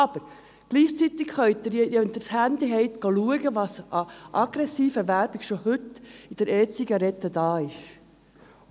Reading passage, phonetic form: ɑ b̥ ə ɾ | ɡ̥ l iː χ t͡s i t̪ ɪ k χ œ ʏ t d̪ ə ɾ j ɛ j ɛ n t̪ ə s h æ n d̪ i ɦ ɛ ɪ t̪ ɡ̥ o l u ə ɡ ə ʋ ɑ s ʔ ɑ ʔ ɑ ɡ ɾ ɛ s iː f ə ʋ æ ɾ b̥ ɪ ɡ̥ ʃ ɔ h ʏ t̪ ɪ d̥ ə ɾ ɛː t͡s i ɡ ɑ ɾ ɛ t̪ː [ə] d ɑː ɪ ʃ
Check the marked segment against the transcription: correct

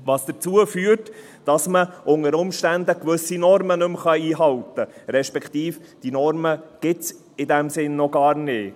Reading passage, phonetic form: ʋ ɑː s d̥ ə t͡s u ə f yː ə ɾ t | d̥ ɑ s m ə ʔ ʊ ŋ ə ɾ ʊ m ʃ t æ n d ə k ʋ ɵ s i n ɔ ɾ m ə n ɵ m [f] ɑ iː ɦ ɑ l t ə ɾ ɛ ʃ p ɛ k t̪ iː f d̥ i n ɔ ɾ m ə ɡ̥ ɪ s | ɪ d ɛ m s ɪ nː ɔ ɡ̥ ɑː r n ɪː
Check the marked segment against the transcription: incorrect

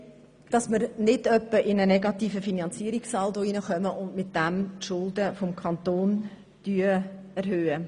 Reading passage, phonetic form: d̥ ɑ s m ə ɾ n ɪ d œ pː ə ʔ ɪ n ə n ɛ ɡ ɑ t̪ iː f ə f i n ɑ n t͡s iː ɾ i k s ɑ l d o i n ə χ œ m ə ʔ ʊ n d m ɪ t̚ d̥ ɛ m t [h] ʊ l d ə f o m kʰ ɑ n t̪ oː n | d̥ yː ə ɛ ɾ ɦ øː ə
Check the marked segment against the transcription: incorrect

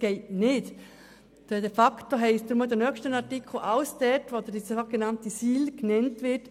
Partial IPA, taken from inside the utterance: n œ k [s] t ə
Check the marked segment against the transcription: incorrect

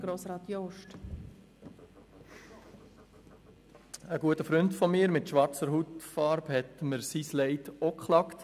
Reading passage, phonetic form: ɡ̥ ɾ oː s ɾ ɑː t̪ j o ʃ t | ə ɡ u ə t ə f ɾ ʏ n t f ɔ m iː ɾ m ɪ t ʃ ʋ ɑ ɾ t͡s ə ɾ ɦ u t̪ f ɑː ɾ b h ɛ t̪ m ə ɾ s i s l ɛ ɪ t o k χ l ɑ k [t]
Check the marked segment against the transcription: correct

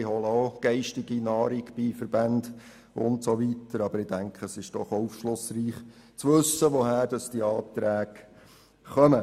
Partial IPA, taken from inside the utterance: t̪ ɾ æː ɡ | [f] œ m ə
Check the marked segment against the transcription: incorrect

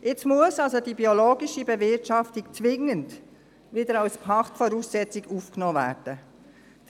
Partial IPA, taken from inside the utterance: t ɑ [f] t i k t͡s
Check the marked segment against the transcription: correct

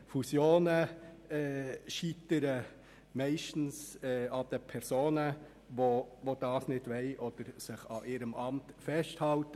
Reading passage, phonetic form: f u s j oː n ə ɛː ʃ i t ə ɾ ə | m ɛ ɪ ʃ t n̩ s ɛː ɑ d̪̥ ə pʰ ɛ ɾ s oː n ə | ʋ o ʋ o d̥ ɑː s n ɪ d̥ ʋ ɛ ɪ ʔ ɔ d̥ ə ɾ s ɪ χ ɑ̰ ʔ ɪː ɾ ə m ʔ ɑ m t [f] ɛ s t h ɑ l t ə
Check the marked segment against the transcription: correct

